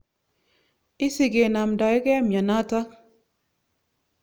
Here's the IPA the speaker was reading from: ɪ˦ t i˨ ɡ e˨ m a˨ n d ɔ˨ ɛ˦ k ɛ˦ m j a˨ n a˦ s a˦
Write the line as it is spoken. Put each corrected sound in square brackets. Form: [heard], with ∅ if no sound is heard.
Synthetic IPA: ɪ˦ [s] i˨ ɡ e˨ [n] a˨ [m] d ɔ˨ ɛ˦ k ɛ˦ m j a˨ n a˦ [t] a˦